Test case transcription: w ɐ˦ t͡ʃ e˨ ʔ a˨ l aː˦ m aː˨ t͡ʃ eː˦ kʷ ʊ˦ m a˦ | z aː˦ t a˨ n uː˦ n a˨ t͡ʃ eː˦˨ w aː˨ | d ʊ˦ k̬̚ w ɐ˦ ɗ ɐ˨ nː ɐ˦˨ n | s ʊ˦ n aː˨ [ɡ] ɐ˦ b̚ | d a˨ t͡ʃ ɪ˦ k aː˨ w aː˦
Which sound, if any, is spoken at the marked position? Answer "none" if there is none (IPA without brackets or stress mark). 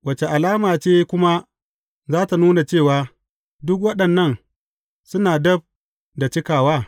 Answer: d